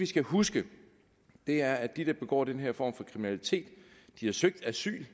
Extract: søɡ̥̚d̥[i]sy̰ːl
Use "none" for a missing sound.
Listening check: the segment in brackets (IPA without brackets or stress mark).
æ